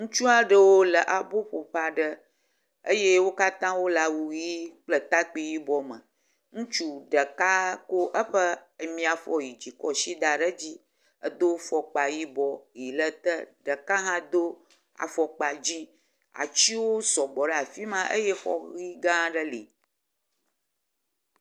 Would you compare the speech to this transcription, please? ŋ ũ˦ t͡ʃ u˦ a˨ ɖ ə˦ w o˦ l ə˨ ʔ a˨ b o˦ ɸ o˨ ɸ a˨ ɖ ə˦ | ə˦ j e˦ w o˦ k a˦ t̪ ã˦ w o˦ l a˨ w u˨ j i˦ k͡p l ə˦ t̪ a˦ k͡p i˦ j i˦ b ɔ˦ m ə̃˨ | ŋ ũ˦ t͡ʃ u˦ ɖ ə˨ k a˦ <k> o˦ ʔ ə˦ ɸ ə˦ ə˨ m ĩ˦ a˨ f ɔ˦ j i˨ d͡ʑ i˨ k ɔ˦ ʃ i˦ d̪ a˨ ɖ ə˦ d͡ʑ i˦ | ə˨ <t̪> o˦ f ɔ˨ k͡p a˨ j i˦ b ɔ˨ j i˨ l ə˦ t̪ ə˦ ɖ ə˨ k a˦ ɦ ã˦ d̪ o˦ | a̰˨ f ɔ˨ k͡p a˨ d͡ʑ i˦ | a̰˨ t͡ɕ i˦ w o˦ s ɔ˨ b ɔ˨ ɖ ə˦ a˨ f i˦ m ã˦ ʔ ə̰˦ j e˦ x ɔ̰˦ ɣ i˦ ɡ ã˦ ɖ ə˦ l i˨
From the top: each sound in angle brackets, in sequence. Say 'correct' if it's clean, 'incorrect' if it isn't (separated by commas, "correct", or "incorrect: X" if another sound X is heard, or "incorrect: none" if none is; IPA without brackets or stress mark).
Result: correct, incorrect: d̪